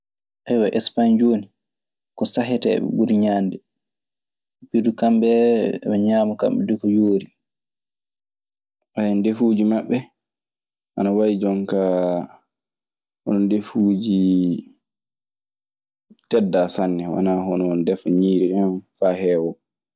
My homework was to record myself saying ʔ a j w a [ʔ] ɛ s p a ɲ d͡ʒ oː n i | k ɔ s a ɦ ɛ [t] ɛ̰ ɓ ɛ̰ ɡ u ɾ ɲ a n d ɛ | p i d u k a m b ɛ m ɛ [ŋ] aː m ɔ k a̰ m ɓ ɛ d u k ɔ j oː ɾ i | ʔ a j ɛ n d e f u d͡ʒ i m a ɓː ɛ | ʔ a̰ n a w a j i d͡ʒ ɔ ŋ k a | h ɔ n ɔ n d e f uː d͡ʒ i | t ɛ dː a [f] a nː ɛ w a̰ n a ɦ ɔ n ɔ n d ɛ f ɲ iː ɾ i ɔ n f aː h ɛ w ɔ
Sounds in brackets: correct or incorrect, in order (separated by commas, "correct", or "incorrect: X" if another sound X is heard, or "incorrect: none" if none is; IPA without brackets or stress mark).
correct, correct, incorrect: ɲ, incorrect: s